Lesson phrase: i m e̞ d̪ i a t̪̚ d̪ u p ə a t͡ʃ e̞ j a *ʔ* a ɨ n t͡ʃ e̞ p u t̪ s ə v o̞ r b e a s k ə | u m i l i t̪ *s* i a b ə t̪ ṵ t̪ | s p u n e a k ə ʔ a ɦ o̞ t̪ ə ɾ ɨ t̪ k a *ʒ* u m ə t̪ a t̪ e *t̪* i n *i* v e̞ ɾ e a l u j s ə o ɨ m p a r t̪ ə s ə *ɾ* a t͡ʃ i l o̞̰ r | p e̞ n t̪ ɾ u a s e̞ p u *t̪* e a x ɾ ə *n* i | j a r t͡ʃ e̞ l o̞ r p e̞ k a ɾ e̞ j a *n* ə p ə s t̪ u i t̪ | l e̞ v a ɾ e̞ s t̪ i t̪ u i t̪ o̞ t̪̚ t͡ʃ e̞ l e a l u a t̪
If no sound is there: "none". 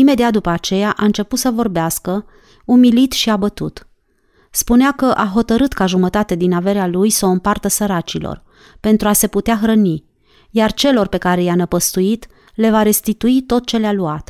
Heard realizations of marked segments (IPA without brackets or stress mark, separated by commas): ʔ, ʃ, ʒ, d̪, a, ɾ, t̪, n, n